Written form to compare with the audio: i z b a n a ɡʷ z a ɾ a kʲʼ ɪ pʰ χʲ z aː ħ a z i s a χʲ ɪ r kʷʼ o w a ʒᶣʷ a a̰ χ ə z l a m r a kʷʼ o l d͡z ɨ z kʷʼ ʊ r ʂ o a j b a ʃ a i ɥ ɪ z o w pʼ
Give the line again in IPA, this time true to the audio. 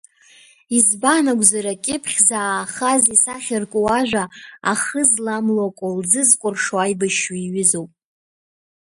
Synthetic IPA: i z b a n a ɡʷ z a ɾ a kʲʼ ɪ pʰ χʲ z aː χ a z i s a χʲ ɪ r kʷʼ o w a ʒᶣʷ a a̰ χ ə z l a m l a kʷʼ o l d͡z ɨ z kʷʼ ʊ r ʂ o a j b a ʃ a i ɥ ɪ z o w pʼ